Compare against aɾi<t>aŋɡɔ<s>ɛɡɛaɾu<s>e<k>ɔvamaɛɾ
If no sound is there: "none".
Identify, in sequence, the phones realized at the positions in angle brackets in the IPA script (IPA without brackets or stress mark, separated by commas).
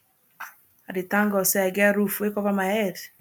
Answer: t, s, f, k